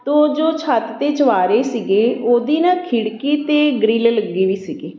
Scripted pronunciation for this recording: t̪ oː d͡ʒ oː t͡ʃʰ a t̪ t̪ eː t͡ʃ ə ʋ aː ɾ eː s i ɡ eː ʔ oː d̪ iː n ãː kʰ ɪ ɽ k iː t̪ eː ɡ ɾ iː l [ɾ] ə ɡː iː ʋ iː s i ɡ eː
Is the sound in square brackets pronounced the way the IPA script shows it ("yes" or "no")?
no